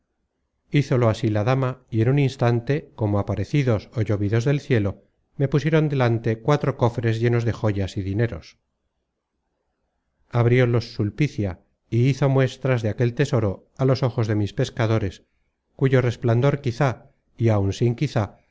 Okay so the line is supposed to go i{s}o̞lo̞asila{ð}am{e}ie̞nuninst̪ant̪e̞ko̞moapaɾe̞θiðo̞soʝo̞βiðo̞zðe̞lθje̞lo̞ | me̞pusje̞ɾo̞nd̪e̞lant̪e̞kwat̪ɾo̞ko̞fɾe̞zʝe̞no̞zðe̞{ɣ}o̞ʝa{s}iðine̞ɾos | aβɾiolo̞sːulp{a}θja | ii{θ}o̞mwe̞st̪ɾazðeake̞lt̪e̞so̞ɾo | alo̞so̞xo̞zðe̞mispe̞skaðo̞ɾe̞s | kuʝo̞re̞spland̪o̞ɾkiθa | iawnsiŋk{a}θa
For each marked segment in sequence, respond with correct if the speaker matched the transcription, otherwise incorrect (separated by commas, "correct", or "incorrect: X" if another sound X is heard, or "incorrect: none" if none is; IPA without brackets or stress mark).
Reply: incorrect: θ, correct, incorrect: a, incorrect: x, correct, incorrect: i, correct, incorrect: i